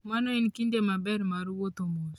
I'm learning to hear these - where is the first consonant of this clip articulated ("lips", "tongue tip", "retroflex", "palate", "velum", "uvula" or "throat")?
lips